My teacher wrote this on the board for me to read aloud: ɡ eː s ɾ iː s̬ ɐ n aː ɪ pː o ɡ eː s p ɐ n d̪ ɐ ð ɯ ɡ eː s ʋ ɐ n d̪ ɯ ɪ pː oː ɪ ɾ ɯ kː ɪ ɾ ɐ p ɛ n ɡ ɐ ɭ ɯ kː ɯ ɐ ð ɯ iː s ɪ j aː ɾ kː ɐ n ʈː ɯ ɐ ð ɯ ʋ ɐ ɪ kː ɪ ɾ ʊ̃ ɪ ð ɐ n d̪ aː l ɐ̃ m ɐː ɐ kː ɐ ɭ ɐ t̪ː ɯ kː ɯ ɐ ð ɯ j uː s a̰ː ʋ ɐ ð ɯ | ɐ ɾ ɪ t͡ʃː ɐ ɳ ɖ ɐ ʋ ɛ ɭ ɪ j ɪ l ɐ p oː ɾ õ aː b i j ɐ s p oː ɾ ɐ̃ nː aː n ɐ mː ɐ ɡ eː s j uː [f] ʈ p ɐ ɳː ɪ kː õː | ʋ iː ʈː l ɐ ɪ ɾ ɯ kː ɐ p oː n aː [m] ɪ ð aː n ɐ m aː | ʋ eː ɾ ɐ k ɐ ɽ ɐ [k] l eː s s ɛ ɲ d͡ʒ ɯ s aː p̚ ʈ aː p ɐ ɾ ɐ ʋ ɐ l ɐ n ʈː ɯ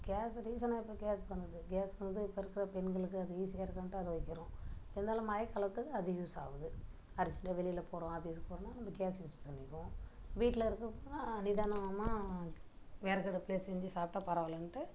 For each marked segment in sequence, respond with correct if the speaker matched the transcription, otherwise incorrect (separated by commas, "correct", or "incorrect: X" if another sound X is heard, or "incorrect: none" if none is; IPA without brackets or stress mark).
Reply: incorrect: s, incorrect: n, incorrect: p